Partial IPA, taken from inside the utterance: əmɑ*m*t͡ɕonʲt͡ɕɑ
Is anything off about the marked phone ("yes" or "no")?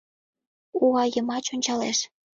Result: yes